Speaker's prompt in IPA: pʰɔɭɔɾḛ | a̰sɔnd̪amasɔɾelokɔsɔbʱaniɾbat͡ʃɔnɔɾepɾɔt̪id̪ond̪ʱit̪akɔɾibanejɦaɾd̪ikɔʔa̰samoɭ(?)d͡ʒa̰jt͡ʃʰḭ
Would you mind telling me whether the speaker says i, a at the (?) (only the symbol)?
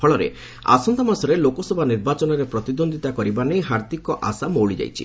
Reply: i